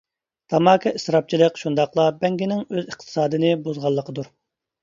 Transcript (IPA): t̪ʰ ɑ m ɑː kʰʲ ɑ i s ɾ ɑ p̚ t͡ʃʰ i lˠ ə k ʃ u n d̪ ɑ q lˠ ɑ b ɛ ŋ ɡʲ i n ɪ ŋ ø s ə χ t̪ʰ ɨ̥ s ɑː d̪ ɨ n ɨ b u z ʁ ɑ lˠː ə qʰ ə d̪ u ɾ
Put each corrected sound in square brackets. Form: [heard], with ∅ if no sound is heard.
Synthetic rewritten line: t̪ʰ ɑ m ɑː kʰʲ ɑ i s ɾ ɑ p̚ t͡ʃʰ i lˠ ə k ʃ u n d̪ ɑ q lˠ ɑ b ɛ ŋ ɡʲ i n ɪ ŋ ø [z] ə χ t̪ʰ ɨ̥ s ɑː d̪ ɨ n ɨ b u z ʁ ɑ lˠː ə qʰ ə d̪ u ɾ